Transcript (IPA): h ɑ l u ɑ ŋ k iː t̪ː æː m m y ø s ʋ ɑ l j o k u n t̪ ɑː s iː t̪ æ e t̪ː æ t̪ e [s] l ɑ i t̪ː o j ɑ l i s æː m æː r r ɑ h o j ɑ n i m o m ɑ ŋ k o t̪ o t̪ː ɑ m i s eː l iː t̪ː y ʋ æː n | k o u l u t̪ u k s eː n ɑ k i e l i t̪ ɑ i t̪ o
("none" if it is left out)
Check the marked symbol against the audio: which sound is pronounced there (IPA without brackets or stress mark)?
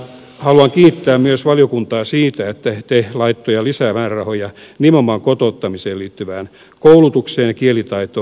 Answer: h